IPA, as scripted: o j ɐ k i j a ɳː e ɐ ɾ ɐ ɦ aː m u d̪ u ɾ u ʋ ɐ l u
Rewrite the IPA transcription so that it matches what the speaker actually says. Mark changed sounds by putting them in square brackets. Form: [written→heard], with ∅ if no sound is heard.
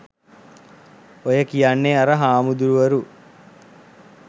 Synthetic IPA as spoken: o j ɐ k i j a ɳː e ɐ ɾ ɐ ɦ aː m u d̪ u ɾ u ʋ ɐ [l→ɾ] u